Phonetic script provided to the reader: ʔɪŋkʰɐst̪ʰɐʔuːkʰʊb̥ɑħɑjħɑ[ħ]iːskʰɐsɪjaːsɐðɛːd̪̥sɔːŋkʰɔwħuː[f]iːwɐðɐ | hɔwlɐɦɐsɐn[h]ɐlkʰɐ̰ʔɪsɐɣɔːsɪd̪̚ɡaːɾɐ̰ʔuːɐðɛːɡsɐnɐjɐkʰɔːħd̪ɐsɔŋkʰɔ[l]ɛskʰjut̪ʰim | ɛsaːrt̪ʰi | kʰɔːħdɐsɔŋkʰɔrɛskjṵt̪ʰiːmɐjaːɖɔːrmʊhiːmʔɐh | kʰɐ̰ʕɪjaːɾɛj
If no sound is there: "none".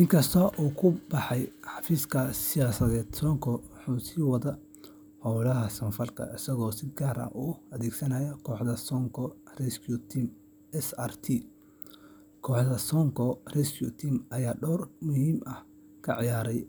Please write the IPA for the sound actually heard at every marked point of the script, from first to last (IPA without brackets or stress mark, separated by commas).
f, s, f, r